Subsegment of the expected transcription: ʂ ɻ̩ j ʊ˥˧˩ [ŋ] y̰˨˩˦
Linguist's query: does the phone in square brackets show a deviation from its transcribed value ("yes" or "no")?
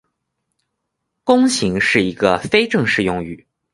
no